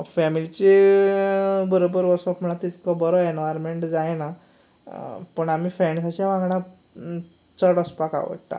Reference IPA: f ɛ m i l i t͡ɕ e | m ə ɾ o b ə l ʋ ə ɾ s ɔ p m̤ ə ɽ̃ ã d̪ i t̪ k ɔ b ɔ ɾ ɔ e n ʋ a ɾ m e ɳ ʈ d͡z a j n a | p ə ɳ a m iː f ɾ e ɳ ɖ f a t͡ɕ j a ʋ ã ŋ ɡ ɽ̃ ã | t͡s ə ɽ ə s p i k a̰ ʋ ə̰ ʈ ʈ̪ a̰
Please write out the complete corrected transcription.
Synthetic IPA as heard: f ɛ m i l i t͡ɕ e | b ə ɾ o b ə ɾ ʋ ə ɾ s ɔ p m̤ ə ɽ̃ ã t̪ i t̪ k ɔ b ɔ ɾ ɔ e n ʋ a ɾ m e ɳ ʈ d͡z a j n a | p ə ɳ a m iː f ɾ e ɳ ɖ s a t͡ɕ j a ʋ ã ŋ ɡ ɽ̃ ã | t͡s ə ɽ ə s p a k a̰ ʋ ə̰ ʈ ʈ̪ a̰

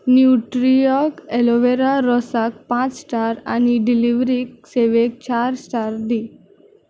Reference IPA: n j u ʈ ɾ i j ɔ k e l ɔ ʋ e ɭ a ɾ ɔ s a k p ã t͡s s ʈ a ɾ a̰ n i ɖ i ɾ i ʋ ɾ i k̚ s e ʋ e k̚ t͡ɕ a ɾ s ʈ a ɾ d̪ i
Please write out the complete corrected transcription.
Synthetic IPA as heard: n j u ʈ ɾ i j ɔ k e l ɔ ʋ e ɾ a ɾ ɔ s a k p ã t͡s s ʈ a ɾ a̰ n i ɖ i l i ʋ ɾ i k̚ s e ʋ e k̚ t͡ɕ a ɾ s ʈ a ɾ d̪ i

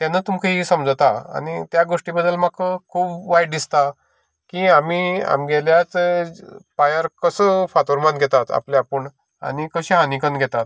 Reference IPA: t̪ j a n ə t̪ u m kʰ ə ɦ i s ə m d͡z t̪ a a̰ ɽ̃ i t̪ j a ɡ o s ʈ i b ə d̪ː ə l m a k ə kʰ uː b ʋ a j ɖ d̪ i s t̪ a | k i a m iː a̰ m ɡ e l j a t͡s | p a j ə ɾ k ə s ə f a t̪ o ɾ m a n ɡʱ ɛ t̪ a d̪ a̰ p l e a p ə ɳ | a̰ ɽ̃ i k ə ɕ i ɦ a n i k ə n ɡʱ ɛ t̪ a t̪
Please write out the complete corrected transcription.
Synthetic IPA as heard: t̪ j a n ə t̪ u m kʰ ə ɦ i s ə m d͡z t̪ a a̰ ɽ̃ i t̪ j a ɡ o ʂ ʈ i b ə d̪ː ə l m a k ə kʰ uː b ʋ a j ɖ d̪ i s t̪ a | k i a m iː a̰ m ɡ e l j a t͡s | p a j ə ɾ k ə s ə f a t̪ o ɾ m a n ɡʱ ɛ t̪ a t̪ a̰ p l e a p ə ɳ | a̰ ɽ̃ i k ə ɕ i ɦ a n i k ə n ɡʱ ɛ t̪ a t̪

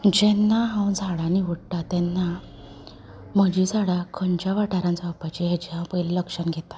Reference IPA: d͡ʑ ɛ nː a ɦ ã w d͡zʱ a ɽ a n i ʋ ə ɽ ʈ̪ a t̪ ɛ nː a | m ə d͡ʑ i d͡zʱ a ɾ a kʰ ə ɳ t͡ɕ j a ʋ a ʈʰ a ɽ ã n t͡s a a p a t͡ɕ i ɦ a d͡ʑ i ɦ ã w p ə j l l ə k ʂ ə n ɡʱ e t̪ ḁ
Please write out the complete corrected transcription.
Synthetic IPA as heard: d͡ʑ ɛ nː a ɦ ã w d͡zʱ a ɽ a n i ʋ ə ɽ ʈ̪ a t̪ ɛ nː a | m ə d͡ʑ i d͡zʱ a ɽ a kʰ ə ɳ t͡ɕ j a ʋ a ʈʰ a ɾ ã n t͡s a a p a t͡ɕ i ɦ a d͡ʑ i ɦ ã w p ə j l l ə k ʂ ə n ɡʱ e t̪ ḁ

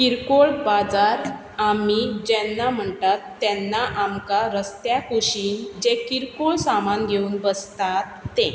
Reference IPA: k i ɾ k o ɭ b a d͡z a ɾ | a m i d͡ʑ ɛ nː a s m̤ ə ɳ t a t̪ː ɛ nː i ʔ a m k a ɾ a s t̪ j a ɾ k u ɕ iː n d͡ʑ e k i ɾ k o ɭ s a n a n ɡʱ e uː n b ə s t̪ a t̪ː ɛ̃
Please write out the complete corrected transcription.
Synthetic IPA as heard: k i ɾ k o ɭ b a d͡z a ɾ | a m i d͡ʑ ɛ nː a m̤ ə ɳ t a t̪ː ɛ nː a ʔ a m k a ɾ ə s t̪ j a k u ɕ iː n d͡ʑ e k i ɾ k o ɭ s a m a n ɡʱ e uː n b ə s t̪ a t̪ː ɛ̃

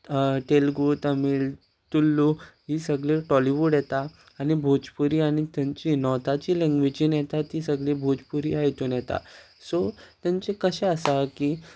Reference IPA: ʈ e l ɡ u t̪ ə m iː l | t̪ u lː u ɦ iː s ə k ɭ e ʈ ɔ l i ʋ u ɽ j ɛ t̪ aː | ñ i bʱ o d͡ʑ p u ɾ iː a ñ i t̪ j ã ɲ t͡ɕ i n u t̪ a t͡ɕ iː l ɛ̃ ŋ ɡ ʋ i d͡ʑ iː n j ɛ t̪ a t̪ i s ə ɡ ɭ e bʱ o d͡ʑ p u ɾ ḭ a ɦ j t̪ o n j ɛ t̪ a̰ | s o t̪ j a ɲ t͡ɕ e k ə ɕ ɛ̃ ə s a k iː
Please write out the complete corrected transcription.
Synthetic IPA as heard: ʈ e l ɡ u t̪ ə m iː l | t̪ u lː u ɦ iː s ə ɡ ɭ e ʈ ɔ l i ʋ u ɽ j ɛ t̪ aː | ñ i bʱ o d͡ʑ p u ɾ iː a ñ i t̪ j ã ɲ t͡ɕ i n ɔ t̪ a t͡ɕ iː l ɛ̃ ŋ ɡ ʋ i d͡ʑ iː n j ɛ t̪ a t̪ i s ə ɡ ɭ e bʱ o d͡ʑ p u ɾ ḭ a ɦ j t̪ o n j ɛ t̪ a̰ | s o t̪ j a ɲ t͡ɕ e k ə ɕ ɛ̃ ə s a k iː

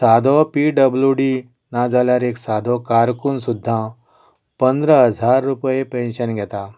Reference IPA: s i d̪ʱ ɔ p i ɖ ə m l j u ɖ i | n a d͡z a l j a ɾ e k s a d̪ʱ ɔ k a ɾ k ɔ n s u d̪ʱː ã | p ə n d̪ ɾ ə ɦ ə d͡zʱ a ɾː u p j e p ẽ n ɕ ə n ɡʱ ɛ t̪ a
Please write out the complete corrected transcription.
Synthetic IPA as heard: s a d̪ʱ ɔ p i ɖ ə b l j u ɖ i | n a d͡z a l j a ɾ e k s a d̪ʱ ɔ k a ɾ k u n s u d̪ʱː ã | p ə n d̪ ɾ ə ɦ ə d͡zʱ a ɾː u p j e p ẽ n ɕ ə n ɡʱ ɛ t̪ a

